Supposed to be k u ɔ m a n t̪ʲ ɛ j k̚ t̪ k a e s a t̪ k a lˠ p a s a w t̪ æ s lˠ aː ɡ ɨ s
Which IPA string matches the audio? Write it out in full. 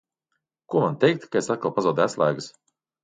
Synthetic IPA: k u ɔ m a n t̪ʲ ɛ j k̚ t̪ k a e s a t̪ k a lˠ p a z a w d̪ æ s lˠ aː ɡ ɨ s